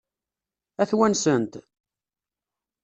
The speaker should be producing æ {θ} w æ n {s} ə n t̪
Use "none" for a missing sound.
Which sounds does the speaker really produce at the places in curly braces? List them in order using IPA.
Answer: θ, s

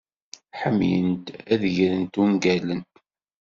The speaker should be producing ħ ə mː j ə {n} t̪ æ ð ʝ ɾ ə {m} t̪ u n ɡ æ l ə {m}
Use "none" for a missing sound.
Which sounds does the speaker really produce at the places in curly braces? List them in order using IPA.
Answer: n, n, n

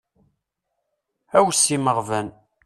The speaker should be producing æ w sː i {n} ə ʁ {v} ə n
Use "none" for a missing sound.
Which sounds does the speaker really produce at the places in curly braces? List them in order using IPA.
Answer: m, v

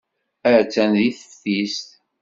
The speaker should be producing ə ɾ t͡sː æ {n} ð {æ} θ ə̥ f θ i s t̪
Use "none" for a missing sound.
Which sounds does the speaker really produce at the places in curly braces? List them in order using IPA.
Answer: n, i

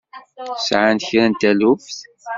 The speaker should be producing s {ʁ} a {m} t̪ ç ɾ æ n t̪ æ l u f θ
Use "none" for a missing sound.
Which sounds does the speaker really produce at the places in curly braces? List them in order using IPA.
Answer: ʕ, n

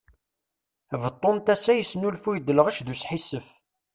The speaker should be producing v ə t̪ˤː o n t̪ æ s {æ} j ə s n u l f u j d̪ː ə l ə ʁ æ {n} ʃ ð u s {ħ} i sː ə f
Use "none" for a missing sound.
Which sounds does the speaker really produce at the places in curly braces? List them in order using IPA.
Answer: æ, none, ħ

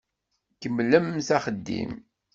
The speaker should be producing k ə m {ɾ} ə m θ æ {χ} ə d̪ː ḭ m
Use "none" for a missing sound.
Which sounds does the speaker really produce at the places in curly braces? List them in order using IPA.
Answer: l, χ

